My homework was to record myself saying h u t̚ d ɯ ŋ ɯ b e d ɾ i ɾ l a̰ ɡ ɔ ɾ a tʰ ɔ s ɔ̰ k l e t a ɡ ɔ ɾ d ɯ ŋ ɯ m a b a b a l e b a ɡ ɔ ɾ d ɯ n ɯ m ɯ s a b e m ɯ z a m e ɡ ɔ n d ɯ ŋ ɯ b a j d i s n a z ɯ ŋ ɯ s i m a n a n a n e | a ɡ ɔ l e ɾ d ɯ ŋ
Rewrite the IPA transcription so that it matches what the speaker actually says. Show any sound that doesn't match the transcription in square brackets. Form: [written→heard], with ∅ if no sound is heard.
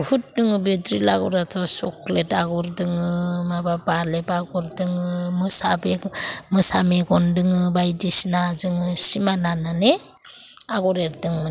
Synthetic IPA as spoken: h u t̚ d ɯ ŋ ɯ b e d ɾ i [ɾ→∅] l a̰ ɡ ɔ ɾ a tʰ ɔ s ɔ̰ k l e t a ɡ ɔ ɾ d ɯ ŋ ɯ m a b a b a l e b a ɡ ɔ ɾ d ɯ [n→ŋ] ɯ m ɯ s a b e m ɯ [z→s] a m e ɡ ɔ n d ɯ ŋ ɯ b a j d i s n a z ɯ ŋ ɯ s i m a n a n a n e | a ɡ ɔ [l→ɾ] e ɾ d ɯ ŋ

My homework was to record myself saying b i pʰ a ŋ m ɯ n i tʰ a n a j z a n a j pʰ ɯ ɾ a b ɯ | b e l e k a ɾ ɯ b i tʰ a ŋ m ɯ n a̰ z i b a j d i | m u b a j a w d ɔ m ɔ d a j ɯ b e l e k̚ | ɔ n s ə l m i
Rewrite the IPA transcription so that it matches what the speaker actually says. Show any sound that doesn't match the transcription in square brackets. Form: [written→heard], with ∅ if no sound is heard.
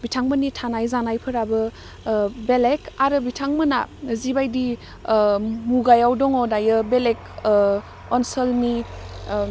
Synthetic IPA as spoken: b i [pʰ→tʰ] a ŋ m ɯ n i tʰ a n a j z a n a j pʰ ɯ ɾ a b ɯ | b e l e k a ɾ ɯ b i tʰ a ŋ m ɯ n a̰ z i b a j d i | m u [b→ɡ] a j a w d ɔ [m→ŋ] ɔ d a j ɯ b e l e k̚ | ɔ n s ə l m i

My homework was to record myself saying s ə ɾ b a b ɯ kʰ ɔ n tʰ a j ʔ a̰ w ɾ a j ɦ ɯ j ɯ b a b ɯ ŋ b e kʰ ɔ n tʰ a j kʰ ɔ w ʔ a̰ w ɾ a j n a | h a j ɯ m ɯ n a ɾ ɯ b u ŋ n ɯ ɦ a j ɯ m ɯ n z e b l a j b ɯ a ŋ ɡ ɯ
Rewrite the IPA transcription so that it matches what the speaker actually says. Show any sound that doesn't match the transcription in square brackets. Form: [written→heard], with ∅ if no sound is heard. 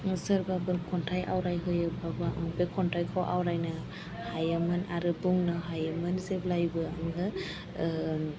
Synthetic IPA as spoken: s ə ɾ b a b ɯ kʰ ɔ n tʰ a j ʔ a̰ w ɾ a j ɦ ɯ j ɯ b a b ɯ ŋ b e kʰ ɔ n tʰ a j kʰ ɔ w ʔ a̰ w ɾ a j n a | h a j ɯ m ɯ n a ɾ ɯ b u ŋ n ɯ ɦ a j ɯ m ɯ n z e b l a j b ɯ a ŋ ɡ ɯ

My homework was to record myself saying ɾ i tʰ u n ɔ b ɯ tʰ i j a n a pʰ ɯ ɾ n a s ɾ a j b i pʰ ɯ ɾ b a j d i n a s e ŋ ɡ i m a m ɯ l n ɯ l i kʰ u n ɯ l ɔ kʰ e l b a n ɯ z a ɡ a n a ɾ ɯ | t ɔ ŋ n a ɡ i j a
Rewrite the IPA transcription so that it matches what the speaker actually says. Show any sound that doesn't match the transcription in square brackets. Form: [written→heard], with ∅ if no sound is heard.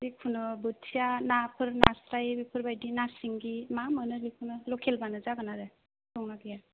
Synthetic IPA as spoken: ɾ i [tʰ→kʰ] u n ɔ b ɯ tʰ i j a n a pʰ ɯ ɾ n a s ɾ a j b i pʰ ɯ ɾ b a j d i n a s [e→i] ŋ ɡ i m a m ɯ [l→∅] n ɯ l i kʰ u n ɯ l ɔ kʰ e l b a n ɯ z a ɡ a n a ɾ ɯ | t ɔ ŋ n a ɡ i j a

